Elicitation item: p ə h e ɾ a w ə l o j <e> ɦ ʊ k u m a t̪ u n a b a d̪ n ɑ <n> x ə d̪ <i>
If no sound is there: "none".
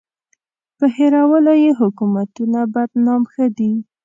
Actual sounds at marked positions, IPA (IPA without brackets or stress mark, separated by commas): e, m, i